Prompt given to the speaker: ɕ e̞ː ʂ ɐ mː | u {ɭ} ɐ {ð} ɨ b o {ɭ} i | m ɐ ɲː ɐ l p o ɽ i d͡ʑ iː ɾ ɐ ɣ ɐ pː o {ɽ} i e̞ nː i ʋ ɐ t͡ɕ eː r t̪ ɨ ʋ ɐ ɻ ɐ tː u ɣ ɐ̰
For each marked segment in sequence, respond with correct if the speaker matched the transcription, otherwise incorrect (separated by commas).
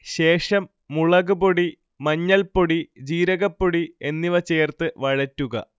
correct, incorrect, incorrect, correct